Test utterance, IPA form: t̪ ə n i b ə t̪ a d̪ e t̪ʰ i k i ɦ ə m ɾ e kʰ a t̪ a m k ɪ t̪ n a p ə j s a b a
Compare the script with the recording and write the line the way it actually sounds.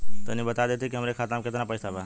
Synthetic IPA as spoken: t̪ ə n i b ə t̪ a d̪ e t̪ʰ i k i ɦ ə m ɾ e kʰ a t̪ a m k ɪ t̪ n a p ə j s a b a